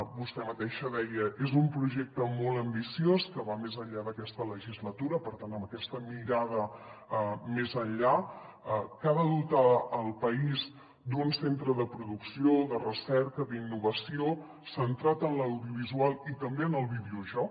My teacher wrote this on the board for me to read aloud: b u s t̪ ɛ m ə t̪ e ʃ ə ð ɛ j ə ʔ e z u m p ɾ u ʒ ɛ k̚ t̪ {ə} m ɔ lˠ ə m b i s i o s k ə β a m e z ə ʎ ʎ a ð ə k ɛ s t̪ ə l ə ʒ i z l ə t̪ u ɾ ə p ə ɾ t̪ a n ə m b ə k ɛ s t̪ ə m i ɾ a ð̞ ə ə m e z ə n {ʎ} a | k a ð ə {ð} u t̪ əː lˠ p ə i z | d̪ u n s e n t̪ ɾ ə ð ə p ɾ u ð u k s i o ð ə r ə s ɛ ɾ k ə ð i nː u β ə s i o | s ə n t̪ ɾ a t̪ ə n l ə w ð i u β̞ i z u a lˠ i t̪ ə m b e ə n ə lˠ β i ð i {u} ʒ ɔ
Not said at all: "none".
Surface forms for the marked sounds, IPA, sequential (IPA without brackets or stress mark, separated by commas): ə, ʎ, ð, u